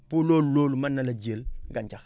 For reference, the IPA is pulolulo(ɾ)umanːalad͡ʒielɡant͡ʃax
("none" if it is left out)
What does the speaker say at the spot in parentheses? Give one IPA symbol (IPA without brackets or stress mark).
l